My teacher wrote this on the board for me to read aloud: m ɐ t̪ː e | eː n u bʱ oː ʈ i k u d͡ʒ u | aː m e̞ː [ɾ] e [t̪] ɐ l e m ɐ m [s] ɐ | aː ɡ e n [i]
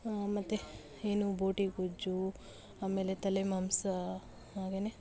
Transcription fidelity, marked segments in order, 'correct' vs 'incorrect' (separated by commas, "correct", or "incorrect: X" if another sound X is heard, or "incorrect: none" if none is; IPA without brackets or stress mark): incorrect: l, correct, correct, incorrect: e